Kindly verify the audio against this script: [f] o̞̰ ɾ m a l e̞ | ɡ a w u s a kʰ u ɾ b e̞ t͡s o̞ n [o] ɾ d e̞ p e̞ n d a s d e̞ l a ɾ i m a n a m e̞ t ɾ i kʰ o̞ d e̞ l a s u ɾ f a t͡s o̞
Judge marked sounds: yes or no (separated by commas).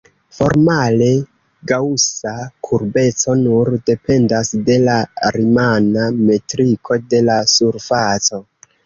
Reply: yes, no